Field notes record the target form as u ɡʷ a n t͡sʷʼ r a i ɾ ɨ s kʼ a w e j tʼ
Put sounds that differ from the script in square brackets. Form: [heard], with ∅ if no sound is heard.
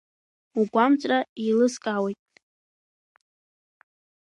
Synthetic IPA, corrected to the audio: u ɡʷ a [m] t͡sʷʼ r a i [l] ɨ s kʼ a w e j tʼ